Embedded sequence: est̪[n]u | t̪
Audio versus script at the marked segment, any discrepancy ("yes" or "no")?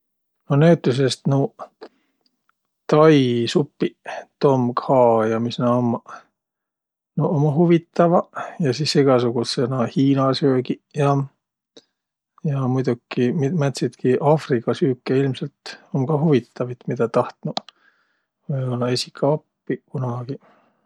no